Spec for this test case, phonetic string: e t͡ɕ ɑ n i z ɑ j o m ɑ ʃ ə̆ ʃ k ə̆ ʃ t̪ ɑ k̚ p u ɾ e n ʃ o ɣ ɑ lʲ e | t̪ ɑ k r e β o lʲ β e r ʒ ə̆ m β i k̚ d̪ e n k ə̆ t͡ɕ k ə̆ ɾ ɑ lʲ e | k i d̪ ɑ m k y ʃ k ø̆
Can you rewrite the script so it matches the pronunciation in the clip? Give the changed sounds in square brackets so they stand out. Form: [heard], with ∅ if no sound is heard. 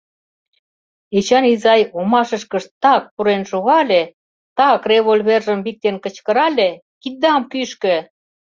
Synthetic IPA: e t͡ɕ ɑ n i z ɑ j o m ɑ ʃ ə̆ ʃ k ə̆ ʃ t̪ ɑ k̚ p u ɾ e n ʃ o ɣ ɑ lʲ e | t̪ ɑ k r e β o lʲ β e r ʒ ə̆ m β i k̚ [t̪] e n k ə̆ t͡ɕ k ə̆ ɾ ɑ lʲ e | k i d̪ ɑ m k y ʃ k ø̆